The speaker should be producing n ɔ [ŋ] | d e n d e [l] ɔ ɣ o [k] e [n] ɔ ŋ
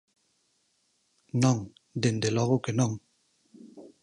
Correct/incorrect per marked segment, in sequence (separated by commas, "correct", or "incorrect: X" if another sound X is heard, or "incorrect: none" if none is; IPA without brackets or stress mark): correct, correct, correct, correct